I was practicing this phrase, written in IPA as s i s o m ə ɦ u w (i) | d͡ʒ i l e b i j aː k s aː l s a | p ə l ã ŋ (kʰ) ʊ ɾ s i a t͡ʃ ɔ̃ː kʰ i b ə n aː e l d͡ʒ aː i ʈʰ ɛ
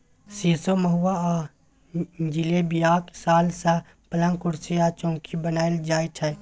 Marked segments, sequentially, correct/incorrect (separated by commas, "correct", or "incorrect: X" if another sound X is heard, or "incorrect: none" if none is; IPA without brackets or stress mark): incorrect: a, incorrect: k